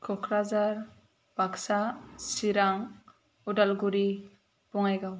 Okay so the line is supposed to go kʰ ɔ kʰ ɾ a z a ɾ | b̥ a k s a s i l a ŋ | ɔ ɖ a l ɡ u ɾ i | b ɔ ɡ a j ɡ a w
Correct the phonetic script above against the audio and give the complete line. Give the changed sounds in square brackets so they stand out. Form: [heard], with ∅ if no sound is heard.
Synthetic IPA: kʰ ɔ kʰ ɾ a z a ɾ | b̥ a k s a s i [ɾ] a ŋ | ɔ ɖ a l ɡ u ɾ i | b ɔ [ŋ] a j ɡ a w